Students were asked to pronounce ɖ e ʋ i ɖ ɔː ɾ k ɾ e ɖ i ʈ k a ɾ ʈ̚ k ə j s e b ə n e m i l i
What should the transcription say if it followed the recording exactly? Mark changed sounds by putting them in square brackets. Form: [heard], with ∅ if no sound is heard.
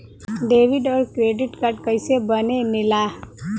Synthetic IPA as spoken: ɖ e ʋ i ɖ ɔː ɾ k ɾ e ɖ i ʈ k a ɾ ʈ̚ k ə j s e b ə n e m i l [a]